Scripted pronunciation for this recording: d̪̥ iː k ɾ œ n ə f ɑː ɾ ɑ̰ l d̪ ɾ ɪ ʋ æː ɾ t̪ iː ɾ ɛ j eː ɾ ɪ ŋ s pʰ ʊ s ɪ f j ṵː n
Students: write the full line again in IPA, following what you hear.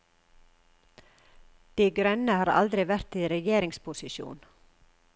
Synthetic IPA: d̪̥ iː ɡ ɾ œ n ə h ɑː ɾ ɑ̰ l d̪ ɾ ɪ ʋ æ ɾ t̪ iː ɾ ɛ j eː ɾ ɪ ŋ s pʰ ʊ s ɪ ʃ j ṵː n